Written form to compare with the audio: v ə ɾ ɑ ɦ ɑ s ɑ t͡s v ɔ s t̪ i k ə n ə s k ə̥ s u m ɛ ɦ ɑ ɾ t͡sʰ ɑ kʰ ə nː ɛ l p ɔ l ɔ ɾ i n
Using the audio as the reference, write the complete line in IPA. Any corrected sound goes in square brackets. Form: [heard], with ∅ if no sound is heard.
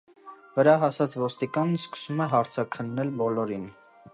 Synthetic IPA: v ə ɾ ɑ ɦ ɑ s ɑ t͡s v ɔ s t̪ i k [ɑ] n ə s k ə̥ s u m ɛ ɦ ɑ ɾ t͡sʰ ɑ kʰ ə nː ɛ l [b] ɔ l ɔ ɾ i n